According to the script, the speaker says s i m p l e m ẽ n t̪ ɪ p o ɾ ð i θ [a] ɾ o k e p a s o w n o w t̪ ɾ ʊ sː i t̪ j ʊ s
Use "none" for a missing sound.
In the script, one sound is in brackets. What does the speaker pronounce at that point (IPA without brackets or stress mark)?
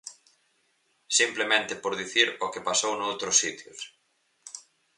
i